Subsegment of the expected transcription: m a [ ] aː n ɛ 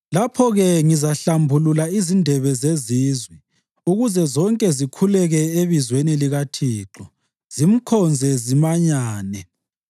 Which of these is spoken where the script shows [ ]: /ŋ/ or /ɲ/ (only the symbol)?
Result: ɲ